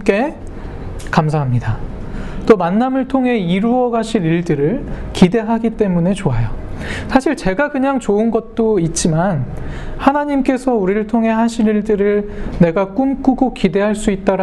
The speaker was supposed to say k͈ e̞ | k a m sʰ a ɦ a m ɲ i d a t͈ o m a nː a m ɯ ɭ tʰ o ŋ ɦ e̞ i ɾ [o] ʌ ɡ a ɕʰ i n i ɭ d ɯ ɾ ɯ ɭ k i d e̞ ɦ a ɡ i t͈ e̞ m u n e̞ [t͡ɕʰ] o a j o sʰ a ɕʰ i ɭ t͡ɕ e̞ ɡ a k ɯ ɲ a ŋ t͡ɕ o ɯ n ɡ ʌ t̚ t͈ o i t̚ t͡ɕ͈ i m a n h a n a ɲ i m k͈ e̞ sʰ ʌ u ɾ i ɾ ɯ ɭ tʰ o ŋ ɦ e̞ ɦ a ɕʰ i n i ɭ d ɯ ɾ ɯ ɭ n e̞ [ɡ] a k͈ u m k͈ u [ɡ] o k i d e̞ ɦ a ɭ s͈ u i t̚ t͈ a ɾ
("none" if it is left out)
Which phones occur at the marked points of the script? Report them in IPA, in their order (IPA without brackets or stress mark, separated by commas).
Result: u, t͡ɕ, ɡ, ɡ